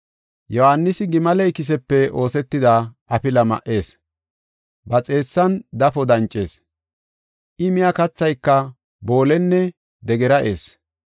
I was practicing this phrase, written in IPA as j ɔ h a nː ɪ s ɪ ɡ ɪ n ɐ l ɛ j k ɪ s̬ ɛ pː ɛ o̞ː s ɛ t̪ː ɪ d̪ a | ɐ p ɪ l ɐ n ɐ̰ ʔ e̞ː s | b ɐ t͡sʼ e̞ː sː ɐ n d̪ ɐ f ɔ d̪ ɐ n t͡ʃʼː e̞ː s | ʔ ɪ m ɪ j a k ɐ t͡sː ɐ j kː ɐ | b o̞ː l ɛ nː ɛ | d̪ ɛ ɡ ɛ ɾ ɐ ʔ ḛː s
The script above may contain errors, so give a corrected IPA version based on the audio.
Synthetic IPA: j ɔ h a nː ɪ s ɪ ɡ ɪ m ɐ l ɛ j k ɪ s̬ ɛ pː ɛ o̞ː s ɛ t̪ː ɪ d̪ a | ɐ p ɪ l ɐ m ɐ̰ ʔ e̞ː s | b ɐ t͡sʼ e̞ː sː ɐ n d̪ ɐ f ɔ d̪ ɐ n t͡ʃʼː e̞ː s | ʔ ɪ m ɪ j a k ɐ t͡sː ɐ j kː ɐ | b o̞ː l ɛ nː ɛ | d̪ ɛ ɡ ɛ ɾ ɐ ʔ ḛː s